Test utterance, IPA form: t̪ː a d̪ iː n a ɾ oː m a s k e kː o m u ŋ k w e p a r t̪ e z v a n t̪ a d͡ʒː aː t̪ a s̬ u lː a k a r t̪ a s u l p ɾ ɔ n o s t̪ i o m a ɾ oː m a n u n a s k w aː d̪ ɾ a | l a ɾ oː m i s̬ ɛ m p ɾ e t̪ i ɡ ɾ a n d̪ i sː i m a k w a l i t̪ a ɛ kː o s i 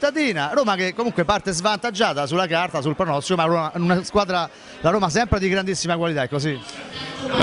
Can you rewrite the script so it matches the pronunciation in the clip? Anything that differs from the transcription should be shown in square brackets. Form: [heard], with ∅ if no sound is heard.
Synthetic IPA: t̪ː a d̪ iː n a ɾ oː m a [∅] k e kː o m u ŋ k w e p a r t̪ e z v a n t̪ a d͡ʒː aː t̪ a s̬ u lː a k a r t̪ a s u l p ɾ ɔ n [ɔ] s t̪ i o m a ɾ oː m a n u n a s k w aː d̪ ɾ a | l a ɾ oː m [a] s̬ ɛ m p ɾ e [d̪] i ɡ ɾ a n d̪ i sː i m a k w a l i t̪ a ɛ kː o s i